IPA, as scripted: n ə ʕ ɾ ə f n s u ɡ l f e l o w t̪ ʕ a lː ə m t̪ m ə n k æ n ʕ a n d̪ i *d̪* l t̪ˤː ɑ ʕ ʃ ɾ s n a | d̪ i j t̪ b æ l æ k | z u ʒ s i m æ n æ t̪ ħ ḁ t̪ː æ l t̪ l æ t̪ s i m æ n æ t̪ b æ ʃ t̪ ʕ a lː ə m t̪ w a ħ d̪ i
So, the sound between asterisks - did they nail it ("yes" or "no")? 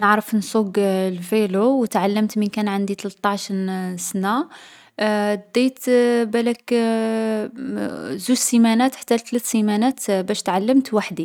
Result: no